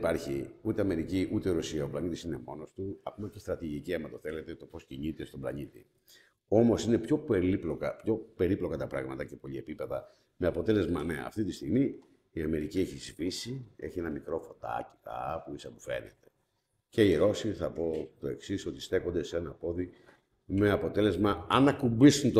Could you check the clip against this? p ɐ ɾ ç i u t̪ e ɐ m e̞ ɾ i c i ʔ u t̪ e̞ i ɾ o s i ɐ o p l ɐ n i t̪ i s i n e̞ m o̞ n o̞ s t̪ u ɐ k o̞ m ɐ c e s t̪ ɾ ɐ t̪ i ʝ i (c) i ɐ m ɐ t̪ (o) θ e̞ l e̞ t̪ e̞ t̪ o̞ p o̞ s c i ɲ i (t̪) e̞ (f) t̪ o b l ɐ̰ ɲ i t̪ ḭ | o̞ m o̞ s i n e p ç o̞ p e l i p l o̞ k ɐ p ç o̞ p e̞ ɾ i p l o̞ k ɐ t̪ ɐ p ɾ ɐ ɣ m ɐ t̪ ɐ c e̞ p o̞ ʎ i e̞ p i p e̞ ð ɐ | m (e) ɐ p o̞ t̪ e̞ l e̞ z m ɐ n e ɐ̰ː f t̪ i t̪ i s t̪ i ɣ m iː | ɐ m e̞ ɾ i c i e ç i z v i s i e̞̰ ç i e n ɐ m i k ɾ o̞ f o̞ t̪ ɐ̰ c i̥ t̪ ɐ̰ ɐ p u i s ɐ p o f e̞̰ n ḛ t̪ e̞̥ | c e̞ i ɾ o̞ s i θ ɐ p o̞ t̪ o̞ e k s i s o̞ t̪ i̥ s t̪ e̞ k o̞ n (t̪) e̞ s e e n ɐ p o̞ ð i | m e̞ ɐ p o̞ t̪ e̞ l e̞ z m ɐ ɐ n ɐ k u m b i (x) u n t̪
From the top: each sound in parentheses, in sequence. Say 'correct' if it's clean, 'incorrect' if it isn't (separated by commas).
correct, correct, correct, incorrect, correct, incorrect, incorrect